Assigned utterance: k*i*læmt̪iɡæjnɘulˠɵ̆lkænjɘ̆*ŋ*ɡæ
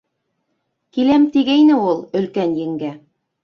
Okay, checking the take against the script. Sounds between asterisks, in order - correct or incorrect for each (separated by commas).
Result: correct, correct